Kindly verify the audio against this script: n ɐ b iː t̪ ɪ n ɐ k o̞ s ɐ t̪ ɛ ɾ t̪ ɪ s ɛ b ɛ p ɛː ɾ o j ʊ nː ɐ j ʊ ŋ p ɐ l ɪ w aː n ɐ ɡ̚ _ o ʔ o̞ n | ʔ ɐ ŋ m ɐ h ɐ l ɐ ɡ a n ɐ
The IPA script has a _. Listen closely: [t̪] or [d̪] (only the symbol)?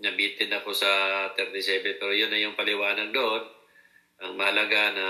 d̪